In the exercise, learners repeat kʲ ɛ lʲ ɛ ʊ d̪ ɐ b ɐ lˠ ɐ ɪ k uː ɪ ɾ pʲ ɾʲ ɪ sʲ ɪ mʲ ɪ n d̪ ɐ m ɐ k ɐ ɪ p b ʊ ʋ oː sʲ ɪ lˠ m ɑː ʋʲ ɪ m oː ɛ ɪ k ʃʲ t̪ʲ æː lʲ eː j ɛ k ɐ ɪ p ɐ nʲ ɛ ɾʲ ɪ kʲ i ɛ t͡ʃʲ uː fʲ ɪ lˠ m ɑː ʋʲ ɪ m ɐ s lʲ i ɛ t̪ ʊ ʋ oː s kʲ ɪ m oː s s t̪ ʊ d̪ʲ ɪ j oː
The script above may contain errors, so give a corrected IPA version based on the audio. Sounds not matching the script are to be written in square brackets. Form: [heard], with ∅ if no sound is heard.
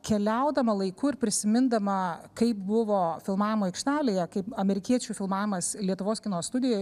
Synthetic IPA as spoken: kʲ ɛ lʲ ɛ ʊ d̪ ɐ [m] ɐ lˠ ɐ ɪ k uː ɪ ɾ pʲ ɾʲ ɪ sʲ ɪ mʲ ɪ n d̪ ɐ m ɐ k ɐ ɪ p b ʊ ʋ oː [fʲ] ɪ lˠ m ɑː ʋʲ ɪ m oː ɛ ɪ k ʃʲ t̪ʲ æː lʲ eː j ɛ k ɐ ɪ p ɐ [mʲ] ɛ ɾʲ ɪ kʲ i ɛ t͡ʃʲ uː fʲ ɪ lˠ m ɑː ʋʲ ɪ m ɐ s lʲ i ɛ t̪ ʊ ʋ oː s kʲ ɪ [n] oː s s t̪ ʊ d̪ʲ ɪ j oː